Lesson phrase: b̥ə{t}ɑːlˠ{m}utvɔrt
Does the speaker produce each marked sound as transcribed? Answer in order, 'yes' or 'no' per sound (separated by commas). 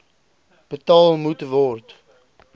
yes, yes